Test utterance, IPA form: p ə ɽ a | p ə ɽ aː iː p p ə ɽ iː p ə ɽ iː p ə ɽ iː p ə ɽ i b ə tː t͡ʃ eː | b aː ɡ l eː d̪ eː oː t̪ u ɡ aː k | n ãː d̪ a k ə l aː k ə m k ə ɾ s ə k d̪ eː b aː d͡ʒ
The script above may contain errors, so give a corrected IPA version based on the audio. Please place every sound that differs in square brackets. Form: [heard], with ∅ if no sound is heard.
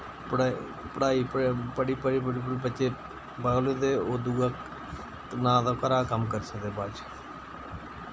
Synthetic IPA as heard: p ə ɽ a | p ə ɽ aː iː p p ə ɽ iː p ə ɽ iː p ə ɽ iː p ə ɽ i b ə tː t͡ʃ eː | b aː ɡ l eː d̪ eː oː [d̪] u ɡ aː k | n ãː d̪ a k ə [ɾ] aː k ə m k ə ɾ s ə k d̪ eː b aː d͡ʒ